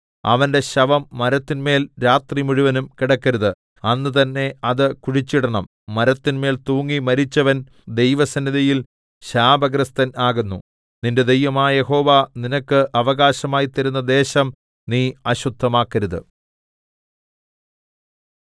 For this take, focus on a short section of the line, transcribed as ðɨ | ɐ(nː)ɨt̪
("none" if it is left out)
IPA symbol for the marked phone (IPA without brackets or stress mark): nː